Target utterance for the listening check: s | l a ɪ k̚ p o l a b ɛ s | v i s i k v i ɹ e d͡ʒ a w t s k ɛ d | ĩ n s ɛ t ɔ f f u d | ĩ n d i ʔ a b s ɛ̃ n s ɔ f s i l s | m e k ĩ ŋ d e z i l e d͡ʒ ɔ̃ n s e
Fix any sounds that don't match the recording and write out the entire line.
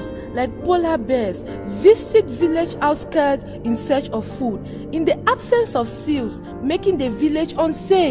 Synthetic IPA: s | l a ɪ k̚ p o l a b ɛ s | v i s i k v i l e d͡ʒ a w t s k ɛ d | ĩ n s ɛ t͡ʃ ɔ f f u d | ĩ n d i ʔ a b s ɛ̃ n s ɔ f s i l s | m e k ĩ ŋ d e v i l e d͡ʒ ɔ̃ n s e